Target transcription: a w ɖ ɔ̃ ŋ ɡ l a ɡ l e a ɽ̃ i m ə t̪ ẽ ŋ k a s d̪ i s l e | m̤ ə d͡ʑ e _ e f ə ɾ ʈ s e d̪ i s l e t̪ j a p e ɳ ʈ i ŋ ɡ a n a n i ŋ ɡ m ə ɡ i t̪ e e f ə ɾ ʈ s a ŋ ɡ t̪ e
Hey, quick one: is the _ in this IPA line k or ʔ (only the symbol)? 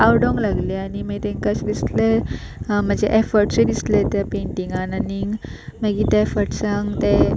ʔ